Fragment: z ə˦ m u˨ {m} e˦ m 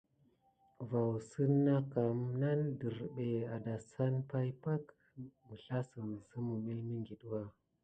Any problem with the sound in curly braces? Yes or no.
no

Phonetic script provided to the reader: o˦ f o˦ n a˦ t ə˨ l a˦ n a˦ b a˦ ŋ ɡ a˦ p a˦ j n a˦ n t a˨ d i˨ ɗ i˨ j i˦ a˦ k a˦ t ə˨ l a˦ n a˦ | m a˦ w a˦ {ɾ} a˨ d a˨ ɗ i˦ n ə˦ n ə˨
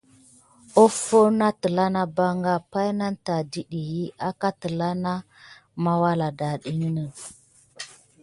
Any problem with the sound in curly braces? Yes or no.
yes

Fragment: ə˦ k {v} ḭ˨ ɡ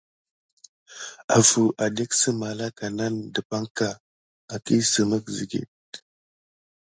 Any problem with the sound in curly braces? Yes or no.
yes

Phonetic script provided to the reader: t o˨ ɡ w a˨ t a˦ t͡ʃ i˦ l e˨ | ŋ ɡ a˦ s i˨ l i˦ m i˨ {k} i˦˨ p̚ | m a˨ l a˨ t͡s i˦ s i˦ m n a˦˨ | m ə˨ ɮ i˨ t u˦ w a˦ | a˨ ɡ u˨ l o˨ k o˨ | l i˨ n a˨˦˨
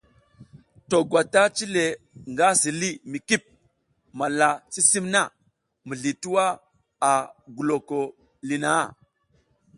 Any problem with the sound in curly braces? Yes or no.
no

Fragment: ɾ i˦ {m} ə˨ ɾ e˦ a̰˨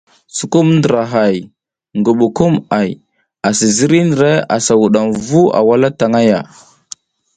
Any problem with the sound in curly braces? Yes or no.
yes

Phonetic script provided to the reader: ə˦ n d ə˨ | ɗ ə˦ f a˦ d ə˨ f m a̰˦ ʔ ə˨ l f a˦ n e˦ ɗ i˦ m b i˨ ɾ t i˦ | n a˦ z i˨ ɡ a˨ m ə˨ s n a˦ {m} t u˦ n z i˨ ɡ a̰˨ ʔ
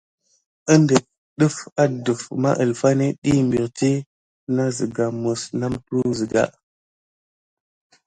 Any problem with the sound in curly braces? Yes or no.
no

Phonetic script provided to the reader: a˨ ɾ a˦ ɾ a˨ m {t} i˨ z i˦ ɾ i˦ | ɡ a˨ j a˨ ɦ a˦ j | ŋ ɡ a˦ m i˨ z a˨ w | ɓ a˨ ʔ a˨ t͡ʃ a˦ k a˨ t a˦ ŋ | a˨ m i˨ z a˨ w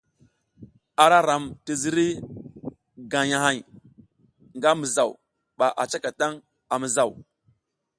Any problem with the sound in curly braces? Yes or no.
no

